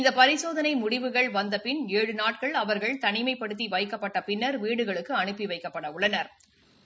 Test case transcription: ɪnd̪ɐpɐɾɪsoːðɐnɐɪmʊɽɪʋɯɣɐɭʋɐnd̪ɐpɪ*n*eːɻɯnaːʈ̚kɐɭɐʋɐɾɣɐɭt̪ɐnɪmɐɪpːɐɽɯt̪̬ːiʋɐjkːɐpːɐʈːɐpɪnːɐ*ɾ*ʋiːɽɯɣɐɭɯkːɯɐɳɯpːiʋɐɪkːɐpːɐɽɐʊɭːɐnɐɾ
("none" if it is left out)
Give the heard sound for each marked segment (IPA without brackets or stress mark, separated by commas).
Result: n, ɾ